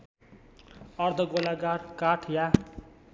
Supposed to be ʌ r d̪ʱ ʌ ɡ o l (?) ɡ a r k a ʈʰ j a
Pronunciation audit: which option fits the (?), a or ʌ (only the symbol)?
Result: a